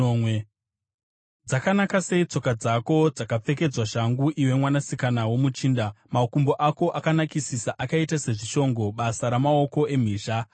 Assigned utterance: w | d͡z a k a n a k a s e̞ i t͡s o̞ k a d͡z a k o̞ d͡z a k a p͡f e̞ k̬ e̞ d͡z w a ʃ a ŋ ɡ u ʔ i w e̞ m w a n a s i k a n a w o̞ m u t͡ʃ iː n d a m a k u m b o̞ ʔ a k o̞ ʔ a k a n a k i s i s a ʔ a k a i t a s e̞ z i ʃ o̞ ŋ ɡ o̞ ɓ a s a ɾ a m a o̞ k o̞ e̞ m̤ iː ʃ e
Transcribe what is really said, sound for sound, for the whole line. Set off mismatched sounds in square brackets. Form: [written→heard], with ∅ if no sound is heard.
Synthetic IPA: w | d͡z a k a n a k a s e̞ i t͡s o̞ k a d͡z a k o̞ d͡z a k a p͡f e̞ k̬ e̞ d͡z w a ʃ a ŋ ɡ u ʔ i w e̞ m w a n a s i k a n a w o̞ m u t͡ʃ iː n d a m a k u m b o̞ ʔ a k o̞ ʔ a k a n a k i s i s a ʔ a k a i t a s e̞ [z→ʐ] i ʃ o̞ ŋ ɡ o̞ ɓ a s a ɾ a m a o̞ k o̞ e̞ m̤ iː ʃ [e→a]

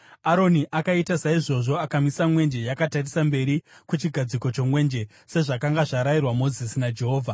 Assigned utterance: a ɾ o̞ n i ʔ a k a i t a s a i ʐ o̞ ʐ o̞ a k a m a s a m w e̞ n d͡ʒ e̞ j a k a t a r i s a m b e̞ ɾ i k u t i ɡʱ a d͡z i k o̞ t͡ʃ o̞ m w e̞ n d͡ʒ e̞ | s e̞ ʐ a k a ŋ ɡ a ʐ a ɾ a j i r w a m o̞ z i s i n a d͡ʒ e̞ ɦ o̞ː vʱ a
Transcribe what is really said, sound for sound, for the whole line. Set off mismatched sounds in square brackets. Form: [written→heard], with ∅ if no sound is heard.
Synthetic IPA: a ɾ o̞ n i ʔ a k a i t a s a i ʐ o̞ ʐ o̞ a k a m [a→i] s a m w e̞ n d͡ʒ e̞ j a k a t a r i s a m b e̞ ɾ i k u [t→t͡ʃ] i ɡʱ a d͡z i k o̞ t͡ʃ o̞ m w e̞ n d͡ʒ e̞ | s e̞ ʐ a k a ŋ ɡ a ʐ a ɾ a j i r w a m o̞ z i s i n a d͡ʒ e̞ ɦ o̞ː vʱ a

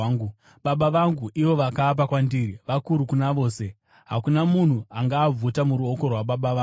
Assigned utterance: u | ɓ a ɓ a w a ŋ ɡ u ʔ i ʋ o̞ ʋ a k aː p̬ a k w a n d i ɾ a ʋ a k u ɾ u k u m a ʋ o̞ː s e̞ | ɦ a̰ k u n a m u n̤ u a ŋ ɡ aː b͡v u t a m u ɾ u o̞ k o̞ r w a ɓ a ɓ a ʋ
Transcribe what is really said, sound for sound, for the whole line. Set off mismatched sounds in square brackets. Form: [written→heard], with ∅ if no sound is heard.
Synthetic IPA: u | ɓ a ɓ a [w→ʋ] a ŋ ɡ u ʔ i ʋ o̞ ʋ a k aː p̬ a k w a n d i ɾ [a→i] ʋ a k u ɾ u k u [m→n] a ʋ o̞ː s e̞ | ɦ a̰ k u n a m u n̤ u a ŋ ɡ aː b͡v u t a m u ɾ u o̞ k o̞ r w a ɓ a ɓ a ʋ

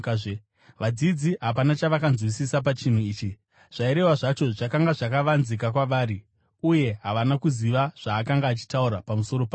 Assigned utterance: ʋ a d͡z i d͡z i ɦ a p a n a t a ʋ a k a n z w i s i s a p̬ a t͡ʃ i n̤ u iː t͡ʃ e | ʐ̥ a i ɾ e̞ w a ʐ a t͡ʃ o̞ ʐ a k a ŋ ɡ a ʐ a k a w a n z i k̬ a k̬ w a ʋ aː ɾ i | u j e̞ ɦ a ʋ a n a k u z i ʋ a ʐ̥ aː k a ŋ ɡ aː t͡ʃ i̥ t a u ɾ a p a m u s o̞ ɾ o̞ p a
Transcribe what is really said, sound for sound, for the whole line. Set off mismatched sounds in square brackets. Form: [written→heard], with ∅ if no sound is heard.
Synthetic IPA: ʋ a d͡z i d͡z i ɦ a p a n a [t→t͡ʃ] a ʋ a k a n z w i s i s a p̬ a t͡ʃ i n̤ u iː t͡ʃ [e→i] | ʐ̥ a i ɾ e̞ w a ʐ a t͡ʃ o̞ ʐ a k a ŋ ɡ a ʐ a k a [w→ʋ] a n z i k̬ a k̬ w a ʋ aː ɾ i | u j e̞ ɦ a ʋ a n a k u z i ʋ a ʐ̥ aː k a ŋ ɡ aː t͡ʃ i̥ t a u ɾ a p a m u s o̞ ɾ o̞ p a

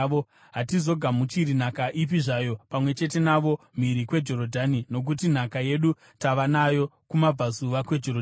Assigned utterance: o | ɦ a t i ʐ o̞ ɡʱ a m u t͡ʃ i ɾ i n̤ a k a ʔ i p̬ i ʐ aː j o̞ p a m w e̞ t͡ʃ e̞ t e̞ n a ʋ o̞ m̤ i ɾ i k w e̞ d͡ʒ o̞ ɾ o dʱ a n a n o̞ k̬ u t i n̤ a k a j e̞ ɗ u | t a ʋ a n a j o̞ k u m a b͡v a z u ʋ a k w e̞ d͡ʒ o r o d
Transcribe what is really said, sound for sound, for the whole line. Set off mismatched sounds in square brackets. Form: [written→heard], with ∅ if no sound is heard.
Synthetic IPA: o | ɦ a t i [ʐ→z] o̞ ɡʱ a m u t͡ʃ i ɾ i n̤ a k a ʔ i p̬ i ʐ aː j o̞ p a m w e̞ t͡ʃ e̞ t e̞ n a ʋ o̞ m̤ i ɾ i k w e̞ d͡ʒ o̞ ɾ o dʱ a n [a→i] n o̞ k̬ u t i n̤ a k a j e̞ ɗ u | t a ʋ a n a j o̞ k u m a b͡v a z u ʋ a k w e̞ d͡ʒ o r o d

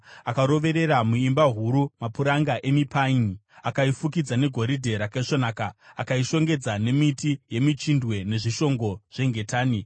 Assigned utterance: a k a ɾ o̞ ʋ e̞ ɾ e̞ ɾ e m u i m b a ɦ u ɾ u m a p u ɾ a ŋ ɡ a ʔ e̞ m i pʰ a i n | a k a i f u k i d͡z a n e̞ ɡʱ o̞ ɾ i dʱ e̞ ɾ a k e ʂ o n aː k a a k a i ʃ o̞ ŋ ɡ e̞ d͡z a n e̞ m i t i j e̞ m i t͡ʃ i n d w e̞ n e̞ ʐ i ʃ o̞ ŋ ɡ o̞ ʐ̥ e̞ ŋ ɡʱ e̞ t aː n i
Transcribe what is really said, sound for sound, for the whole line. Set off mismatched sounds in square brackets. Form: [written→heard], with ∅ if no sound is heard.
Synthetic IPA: a k a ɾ o̞ ʋ e̞ ɾ e̞ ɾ [e→a] m u i m b a ɦ u ɾ u m a p u ɾ a ŋ ɡ a ʔ e̞ m i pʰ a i n | a k a i f u k i d͡z a n e̞ ɡʱ o̞ ɾ i dʱ e̞ ɾ a k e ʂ o n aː k a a k a i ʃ o̞ ŋ ɡ e̞ d͡z a n e̞ m i t i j e̞ m i t͡ʃ i n d w e̞ n e̞ ʐ i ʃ o̞ ŋ ɡ o̞ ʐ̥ e̞ ŋ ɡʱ e̞ t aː n i

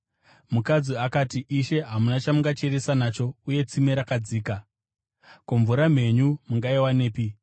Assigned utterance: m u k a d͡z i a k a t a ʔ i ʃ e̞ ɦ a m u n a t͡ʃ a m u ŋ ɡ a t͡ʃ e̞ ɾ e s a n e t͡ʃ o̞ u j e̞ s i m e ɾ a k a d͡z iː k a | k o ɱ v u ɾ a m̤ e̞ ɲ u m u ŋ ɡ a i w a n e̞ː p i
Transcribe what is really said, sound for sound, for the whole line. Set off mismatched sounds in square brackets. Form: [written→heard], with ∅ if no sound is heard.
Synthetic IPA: m u k a d͡z i a k a t [a→i] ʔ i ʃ e̞ ɦ a m u n a t͡ʃ a m u ŋ ɡ a t͡ʃ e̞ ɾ e s a n [e→a] t͡ʃ o̞ u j e̞ [s→t͡s] i m e ɾ a k a d͡z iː k a | k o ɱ v u ɾ a m̤ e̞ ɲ u m u ŋ ɡ a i w a n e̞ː p i

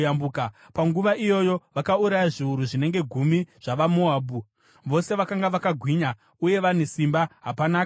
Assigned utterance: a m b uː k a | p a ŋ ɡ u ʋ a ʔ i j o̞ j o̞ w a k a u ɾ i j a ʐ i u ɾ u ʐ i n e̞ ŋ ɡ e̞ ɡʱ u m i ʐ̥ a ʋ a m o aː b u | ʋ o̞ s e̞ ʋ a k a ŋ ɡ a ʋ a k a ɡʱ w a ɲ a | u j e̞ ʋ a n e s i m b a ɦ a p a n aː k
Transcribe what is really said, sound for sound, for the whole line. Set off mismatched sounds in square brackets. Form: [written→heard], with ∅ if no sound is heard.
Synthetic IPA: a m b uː k a | p a ŋ ɡ u ʋ a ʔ i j o̞ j o̞ [w→ʋ] a k a u ɾ [i→a] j a ʐ i u ɾ u ʐ i n e̞ ŋ ɡ e̞ ɡʱ u m i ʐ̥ a ʋ a m o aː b u | ʋ o̞ s e̞ ʋ a k a ŋ ɡ a ʋ a k a ɡʱ w [a→i] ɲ a | u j e̞ ʋ a n e s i m b a ɦ a p a n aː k

